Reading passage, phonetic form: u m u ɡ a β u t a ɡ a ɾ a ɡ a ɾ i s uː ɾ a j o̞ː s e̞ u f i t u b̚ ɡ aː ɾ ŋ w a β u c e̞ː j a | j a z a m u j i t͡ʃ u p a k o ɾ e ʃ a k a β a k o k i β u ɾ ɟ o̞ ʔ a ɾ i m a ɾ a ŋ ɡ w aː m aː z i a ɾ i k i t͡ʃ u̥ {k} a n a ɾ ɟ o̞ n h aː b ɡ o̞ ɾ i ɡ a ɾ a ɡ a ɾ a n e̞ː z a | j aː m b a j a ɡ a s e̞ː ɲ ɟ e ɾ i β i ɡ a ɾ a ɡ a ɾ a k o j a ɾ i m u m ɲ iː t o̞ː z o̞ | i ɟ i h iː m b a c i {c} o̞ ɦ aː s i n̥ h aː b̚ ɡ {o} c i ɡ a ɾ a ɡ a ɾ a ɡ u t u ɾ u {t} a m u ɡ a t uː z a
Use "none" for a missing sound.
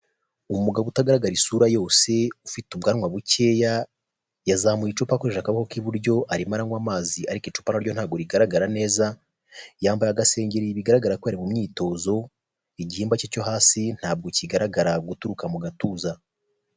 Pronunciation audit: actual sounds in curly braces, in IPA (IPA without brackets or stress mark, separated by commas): p, c, o, k